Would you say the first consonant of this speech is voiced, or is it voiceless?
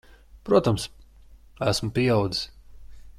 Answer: voiceless